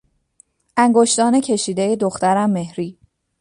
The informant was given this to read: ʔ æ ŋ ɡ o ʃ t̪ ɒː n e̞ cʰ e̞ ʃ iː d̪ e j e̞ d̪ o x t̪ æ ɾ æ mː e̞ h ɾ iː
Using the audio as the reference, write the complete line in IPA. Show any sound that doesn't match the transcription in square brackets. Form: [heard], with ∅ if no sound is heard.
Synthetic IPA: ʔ æ ŋ ɡ o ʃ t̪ ɒː n e̞ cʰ e̞ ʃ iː d̪ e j e̞ d̪ o x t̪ æ ɾ æ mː e̞ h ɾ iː